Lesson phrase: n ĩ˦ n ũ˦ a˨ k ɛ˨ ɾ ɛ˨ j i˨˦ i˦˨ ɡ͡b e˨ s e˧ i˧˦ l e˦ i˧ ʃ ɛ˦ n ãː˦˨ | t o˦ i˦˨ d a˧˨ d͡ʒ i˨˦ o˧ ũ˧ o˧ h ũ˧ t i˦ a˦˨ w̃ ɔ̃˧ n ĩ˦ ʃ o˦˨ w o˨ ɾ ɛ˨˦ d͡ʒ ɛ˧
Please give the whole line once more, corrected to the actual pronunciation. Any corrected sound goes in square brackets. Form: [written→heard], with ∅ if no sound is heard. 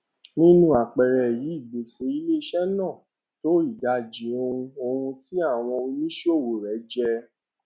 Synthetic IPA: n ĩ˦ n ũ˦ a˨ [k→k͡p] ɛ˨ ɾ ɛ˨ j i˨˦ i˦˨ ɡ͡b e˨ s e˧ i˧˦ l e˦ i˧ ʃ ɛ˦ n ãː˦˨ | t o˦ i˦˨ d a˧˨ d͡ʒ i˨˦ o˧ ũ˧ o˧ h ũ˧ t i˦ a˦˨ w̃ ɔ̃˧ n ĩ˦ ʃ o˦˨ w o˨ ɾ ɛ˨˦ d͡ʒ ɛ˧